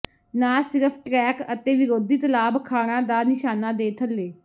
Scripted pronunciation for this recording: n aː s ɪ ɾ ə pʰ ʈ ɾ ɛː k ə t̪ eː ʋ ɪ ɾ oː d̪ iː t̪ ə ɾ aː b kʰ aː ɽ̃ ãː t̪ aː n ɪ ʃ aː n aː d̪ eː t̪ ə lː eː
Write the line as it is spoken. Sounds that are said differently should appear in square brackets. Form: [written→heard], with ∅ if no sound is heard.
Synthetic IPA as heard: n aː s ɪ ɾ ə pʰ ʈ ɾ ɛː k ə t̪ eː ʋ ɪ ɾ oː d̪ iː t̪ ə [ɾ→l] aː b kʰ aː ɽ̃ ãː [t̪→d̪] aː n ɪ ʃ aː n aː d̪ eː [t̪→t̪ʰ] ə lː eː